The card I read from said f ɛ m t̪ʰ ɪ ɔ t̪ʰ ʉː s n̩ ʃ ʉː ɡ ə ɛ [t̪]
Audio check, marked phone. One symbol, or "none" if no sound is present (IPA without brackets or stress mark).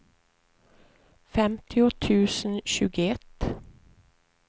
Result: t̪